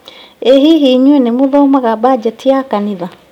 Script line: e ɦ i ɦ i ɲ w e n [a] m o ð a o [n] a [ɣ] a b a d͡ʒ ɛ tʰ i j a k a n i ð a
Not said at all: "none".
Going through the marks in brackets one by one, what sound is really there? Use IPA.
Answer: e, m, ɣ

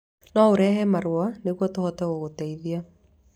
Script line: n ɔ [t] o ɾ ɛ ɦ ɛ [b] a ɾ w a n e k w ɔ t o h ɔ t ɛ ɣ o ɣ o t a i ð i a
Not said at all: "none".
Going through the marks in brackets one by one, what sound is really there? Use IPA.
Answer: none, m

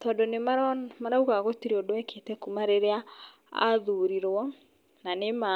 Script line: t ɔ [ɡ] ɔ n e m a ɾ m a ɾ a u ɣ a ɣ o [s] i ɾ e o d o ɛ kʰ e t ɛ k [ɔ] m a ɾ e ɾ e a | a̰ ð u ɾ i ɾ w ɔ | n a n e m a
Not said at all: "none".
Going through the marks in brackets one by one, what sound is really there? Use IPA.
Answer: d, t, u

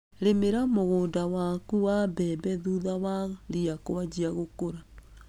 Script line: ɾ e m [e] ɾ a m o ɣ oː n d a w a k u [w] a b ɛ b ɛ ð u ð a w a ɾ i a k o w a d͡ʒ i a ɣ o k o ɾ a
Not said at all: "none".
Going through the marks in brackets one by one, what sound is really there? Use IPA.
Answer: e, w

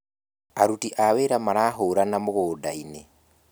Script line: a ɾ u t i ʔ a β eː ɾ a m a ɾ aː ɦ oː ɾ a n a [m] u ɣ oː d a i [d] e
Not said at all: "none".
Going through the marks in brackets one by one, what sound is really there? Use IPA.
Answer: m, n

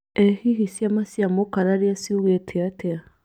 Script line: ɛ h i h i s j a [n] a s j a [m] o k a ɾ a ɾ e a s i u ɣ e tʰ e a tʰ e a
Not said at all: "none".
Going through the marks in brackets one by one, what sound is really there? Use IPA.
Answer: m, m

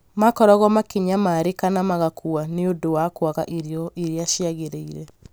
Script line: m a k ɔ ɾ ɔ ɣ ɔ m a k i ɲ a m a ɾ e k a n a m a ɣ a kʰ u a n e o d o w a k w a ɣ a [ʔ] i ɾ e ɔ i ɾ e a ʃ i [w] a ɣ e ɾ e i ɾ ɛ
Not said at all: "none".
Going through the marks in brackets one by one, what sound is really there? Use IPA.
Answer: ʔ, none

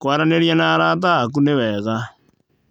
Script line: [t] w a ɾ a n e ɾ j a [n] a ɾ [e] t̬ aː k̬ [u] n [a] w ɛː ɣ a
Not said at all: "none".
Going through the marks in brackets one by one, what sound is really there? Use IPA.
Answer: k, n, a, u, e

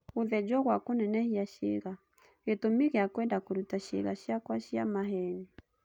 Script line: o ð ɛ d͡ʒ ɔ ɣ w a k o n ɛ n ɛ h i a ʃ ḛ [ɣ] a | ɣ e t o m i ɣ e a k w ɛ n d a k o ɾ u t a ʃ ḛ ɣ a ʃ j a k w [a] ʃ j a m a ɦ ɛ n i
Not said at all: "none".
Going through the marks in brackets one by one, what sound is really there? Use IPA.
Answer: ɣ, a

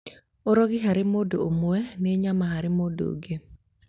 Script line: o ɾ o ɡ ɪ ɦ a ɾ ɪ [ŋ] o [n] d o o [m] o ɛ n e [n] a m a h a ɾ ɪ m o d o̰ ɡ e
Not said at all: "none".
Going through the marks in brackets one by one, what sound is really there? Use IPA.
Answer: m, none, m, ɲ

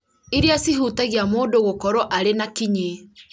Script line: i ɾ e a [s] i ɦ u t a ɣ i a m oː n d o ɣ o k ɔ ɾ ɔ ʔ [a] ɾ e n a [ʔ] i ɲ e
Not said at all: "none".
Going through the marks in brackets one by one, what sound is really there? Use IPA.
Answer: s, a, k

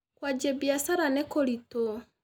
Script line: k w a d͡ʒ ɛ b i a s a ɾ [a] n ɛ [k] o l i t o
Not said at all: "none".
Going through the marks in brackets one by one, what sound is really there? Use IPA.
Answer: a, k

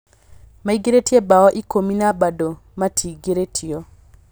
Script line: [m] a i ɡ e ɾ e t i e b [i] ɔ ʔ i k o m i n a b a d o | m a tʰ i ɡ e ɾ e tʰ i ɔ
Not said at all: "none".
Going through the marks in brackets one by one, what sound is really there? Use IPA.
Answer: m, a

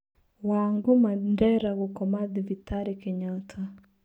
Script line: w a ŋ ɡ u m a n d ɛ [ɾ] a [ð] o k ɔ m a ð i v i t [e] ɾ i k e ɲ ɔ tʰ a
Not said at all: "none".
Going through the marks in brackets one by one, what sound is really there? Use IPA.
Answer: ɾ, ɣ, a

